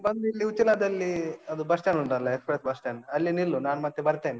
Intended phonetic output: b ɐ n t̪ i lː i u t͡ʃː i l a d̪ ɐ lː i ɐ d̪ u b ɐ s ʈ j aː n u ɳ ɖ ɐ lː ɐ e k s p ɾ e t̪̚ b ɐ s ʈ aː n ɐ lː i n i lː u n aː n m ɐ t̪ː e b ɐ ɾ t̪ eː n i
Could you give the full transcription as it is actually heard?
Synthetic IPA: b ɐ n d̪ i lː i u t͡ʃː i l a d̪ ɐ lː i ɐ d̪ u b ɐ s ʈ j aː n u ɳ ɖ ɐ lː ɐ e k s p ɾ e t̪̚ b ɐ s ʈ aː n ɐ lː i n i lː u n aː n m ɐ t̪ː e b ɐ ɾ t̪ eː n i